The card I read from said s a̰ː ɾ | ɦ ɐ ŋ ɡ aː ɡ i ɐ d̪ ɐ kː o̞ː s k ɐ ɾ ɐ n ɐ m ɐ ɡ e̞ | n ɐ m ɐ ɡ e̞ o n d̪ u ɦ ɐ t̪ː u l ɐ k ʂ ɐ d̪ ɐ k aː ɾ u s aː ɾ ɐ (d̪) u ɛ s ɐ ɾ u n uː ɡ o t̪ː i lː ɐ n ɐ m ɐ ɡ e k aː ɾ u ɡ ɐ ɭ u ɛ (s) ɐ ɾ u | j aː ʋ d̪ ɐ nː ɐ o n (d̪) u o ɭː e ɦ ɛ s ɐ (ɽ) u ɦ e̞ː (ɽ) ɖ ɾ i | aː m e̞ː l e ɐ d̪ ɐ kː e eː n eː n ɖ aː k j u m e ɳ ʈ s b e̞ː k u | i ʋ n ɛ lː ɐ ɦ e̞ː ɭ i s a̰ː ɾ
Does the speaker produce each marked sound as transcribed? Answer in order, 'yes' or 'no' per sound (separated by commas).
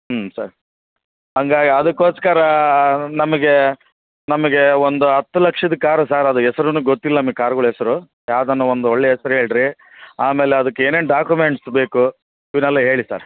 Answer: yes, yes, yes, no, no